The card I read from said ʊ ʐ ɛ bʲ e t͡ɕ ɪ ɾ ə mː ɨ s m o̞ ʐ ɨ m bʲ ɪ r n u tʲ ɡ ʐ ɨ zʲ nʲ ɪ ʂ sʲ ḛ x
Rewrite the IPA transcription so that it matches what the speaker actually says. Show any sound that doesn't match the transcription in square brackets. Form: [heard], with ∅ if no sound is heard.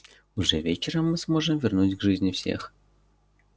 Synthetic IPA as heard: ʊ ʐ ɛ [vʲ] e t͡ɕ ɪ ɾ ə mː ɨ s m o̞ ʐ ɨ m [vʲ] ɪ r n u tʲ ɡ ʐ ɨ zʲ nʲ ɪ [f] sʲ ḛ x